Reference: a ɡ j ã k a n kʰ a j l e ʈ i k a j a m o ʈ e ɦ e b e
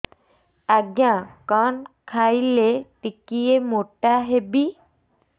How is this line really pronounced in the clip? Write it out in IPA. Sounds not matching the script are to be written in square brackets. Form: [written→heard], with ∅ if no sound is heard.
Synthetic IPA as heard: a ɡ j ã k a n kʰ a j l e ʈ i k [a→i] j [a→e] m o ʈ [e→a] ɦ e b [e→i]